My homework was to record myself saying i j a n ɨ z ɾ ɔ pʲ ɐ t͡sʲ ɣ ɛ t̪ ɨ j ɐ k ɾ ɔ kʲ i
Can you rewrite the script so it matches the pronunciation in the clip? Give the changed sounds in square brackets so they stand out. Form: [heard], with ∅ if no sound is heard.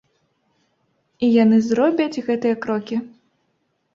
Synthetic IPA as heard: i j a n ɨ z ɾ ɔ [bʲ] ɐ t͡sʲ ɣ ɛ t̪ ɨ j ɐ k ɾ ɔ kʲ i